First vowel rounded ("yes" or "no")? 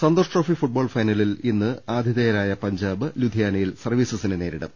no